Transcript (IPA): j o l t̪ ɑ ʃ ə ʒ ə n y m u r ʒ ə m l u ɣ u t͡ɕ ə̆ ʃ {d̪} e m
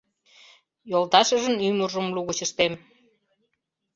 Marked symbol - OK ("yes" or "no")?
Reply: no